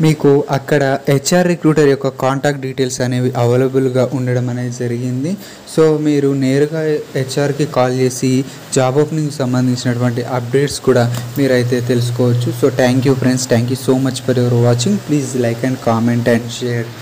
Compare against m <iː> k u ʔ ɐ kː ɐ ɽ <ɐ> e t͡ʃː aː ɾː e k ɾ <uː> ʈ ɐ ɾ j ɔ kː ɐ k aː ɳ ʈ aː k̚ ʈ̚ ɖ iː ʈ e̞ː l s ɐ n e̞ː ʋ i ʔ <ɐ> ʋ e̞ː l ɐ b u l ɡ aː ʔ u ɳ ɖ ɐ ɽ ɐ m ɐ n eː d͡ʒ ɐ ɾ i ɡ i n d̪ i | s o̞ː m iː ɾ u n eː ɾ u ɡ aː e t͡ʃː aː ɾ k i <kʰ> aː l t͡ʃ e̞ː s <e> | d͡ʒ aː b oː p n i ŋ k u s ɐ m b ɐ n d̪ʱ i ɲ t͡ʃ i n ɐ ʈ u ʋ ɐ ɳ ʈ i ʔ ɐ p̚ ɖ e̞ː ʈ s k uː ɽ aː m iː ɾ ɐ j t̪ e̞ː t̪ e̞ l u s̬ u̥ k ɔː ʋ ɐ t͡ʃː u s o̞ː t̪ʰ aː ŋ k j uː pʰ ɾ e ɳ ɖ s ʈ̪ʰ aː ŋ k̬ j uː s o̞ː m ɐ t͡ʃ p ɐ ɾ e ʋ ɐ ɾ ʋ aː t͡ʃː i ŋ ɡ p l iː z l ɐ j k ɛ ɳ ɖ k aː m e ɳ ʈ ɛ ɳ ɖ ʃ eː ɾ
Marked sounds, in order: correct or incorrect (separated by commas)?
correct, correct, correct, correct, incorrect, incorrect